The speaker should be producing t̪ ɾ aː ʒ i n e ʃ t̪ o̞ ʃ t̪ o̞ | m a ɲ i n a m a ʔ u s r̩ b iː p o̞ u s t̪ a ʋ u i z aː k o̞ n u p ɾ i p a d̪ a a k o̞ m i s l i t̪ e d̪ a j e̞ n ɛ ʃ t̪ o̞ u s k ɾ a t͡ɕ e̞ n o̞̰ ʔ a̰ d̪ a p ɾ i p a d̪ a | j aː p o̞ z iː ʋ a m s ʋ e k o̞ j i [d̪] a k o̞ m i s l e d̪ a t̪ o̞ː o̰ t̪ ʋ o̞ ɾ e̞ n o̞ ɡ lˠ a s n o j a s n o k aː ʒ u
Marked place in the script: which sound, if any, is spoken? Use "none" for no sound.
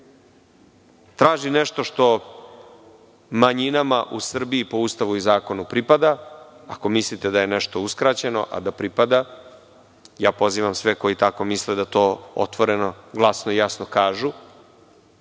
t̪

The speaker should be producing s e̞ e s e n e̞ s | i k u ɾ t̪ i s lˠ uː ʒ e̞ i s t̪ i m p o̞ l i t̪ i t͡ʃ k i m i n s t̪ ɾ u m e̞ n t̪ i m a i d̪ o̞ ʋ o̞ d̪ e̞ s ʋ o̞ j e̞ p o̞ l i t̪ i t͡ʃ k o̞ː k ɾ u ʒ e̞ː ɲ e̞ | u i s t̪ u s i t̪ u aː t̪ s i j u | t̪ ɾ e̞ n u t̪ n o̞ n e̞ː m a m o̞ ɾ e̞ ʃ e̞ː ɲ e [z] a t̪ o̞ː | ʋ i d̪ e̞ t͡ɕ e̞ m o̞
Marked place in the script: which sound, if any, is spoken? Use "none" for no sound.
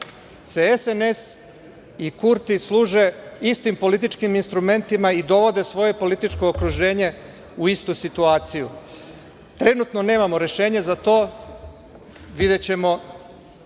z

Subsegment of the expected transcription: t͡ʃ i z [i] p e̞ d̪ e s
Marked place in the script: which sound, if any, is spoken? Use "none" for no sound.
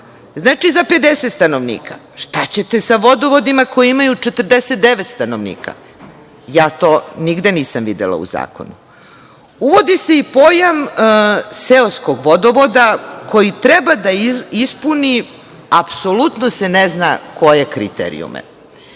a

